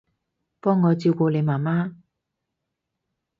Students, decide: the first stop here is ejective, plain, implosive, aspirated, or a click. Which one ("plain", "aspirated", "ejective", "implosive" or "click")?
plain